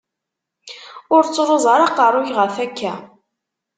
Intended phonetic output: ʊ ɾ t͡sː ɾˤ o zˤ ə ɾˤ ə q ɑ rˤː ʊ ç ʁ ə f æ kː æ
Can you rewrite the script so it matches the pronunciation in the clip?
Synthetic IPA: ʊ ɾ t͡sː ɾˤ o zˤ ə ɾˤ ɑ q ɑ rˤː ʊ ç ʁ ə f æ kː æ